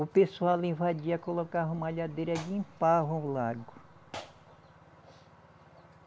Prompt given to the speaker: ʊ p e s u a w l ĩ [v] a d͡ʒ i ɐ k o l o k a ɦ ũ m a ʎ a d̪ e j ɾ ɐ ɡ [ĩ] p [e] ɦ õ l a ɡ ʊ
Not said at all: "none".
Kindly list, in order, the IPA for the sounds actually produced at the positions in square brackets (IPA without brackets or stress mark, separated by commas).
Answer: v, ĩ, a